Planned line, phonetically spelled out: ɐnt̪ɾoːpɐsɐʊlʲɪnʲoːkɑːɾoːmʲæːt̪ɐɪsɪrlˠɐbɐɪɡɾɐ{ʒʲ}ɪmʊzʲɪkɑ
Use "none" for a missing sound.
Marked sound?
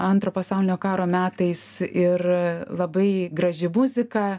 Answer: ʒʲ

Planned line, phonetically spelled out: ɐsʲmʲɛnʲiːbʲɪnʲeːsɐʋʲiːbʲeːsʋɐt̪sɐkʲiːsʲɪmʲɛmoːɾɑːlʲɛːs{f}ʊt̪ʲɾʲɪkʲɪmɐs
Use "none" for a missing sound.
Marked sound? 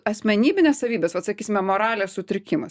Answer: s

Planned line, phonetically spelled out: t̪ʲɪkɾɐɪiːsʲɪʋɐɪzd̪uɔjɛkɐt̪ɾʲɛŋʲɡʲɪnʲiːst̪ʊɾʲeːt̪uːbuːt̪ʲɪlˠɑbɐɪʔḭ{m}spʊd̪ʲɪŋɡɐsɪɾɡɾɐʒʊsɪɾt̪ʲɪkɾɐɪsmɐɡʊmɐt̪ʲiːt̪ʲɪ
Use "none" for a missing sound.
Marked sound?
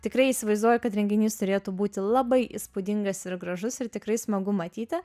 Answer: none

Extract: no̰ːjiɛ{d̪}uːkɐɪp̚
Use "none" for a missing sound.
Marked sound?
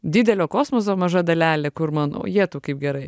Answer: t̪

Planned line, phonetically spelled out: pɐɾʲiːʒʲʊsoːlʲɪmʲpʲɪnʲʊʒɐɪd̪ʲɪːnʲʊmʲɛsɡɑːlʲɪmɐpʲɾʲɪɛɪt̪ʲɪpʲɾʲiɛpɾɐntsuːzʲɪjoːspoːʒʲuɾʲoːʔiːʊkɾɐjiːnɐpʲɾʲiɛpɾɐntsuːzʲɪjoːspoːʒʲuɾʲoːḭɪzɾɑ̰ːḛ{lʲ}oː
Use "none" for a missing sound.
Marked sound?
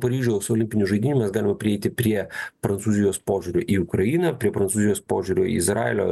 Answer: lʲ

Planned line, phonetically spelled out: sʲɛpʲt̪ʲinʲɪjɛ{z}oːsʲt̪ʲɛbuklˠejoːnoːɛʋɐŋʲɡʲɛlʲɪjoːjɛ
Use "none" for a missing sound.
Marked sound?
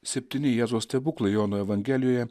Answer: z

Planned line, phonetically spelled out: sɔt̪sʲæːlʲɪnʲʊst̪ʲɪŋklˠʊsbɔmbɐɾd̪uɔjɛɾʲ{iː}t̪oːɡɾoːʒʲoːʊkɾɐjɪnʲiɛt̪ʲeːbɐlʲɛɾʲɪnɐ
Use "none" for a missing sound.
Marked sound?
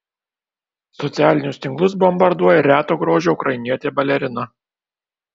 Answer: æː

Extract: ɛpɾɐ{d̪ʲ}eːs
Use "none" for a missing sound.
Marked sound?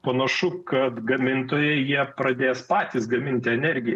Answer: d̪ʲ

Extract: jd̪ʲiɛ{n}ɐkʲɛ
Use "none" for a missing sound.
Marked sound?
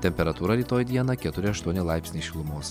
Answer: n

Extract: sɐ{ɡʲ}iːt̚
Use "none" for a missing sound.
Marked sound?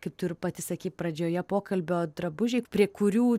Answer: kʲ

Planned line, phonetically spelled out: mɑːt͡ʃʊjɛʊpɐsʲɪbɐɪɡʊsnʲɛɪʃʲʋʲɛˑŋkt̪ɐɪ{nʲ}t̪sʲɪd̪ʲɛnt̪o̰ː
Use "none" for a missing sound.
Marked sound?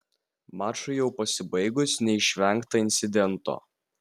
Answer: nʲ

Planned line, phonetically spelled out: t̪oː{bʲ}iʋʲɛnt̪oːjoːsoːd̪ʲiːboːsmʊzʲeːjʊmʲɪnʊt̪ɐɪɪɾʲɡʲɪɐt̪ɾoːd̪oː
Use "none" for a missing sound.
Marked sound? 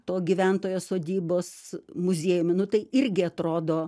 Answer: ɡʲ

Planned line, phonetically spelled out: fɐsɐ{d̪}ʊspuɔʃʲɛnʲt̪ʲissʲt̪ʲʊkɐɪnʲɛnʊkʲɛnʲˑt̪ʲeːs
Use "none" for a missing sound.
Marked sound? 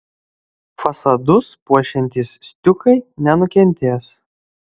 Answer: d̪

